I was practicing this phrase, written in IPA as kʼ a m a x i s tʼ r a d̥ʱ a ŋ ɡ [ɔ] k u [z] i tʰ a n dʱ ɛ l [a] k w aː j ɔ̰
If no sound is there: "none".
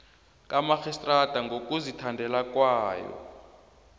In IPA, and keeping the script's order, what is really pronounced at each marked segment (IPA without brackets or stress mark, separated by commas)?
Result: o, z, a